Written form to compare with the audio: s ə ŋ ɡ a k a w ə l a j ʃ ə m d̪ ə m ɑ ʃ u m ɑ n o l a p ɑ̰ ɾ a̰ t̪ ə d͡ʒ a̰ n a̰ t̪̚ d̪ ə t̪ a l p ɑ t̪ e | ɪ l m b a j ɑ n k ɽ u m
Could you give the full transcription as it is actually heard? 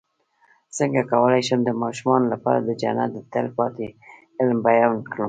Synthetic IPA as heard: s ə ŋ ɡ a k a w ə l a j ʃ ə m d̪ ə m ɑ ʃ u m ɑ n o l a p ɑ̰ ɾ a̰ d̪ ə d͡ʒ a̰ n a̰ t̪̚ d̪ ə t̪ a l p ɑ t̪ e | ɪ l m b a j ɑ n k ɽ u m

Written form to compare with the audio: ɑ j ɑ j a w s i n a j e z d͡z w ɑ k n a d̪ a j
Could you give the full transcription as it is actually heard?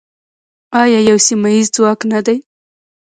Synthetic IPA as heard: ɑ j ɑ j a w s i m a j i z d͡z w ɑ k n a d̪ a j

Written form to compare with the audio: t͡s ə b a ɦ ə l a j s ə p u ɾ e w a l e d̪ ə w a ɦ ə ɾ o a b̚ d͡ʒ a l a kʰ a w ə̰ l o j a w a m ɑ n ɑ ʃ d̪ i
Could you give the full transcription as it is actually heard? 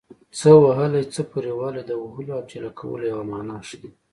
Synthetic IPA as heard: t͡s ə w a ɦ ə l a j t͡s ə p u ɾ e w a l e d̪ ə w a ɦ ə l o a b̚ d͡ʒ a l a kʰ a w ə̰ l o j a w a m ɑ n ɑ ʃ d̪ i

